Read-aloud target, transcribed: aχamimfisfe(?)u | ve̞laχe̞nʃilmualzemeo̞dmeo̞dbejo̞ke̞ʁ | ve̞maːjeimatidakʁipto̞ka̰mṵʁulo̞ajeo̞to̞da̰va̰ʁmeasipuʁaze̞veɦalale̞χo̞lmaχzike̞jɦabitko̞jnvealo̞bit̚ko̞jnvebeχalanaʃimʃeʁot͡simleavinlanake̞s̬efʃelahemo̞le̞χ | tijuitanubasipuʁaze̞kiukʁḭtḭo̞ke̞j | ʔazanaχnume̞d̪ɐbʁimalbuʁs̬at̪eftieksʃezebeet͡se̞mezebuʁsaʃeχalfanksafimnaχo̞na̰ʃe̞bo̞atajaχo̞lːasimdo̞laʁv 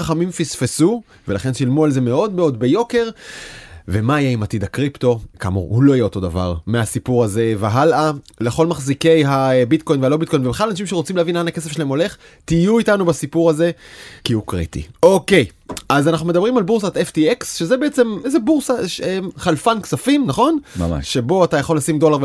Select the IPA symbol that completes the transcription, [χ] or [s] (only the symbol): s